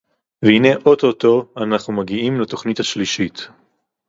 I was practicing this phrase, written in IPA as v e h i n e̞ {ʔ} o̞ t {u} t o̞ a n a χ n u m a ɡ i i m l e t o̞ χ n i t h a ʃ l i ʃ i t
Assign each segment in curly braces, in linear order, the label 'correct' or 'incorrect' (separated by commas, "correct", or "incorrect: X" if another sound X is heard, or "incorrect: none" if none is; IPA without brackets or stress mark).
correct, incorrect: o